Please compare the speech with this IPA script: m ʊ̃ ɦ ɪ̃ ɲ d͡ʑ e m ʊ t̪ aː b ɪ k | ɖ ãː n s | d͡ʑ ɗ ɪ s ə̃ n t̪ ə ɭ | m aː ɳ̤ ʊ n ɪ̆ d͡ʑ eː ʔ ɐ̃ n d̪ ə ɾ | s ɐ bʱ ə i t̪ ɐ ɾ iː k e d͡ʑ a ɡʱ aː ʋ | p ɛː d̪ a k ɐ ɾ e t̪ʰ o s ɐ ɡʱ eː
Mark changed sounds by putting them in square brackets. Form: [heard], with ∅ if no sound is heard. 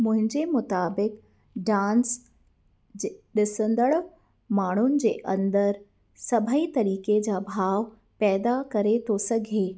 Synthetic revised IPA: m ʊ̃ ɦ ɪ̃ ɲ d͡ʑ e m ʊ t̪ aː b ɪ k | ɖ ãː n s | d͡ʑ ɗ ɪ s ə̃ n [d̪] ə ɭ | m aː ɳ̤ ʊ n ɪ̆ d͡ʑ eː ʔ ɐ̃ n d̪ ə ɾ | s ɐ bʱ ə i t̪ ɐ ɾ iː k e d͡ʑ a [bʱ] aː ʋ | p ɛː d̪ a k ɐ ɾ e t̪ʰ o s ɐ ɡʱ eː